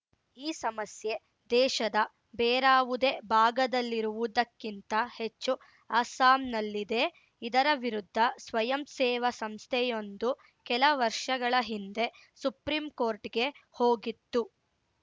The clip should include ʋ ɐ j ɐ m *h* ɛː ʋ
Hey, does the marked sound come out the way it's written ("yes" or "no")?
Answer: no